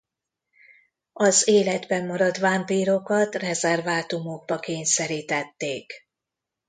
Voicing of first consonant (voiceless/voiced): voiced